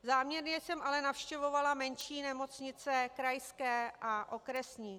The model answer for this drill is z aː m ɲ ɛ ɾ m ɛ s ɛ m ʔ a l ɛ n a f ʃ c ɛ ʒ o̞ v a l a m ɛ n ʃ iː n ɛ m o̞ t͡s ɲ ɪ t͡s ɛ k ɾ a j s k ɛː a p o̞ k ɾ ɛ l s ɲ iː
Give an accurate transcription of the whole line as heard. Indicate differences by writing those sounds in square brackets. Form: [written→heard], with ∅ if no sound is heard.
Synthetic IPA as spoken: z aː m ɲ ɛ ɾ [m→ɲ] ɛ s ɛ m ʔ a l ɛ n a f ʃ c ɛ [ʒ→v] o̞ v a l a m ɛ n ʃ iː n ɛ m o̞ t͡s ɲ ɪ t͡s ɛ k ɾ a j s k ɛː a [p→ʔ] o̞ k ɾ ɛ [l→∅] s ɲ iː